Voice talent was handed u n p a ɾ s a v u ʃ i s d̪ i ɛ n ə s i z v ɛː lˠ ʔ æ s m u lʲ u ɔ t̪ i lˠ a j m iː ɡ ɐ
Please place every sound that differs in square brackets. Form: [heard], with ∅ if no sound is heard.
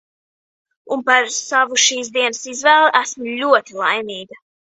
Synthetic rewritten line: u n p a ɾ s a v u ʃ [iː] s d̪ i ɛ n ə s i z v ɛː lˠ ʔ æ s m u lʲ u ɔ t̪ i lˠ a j m iː ɡ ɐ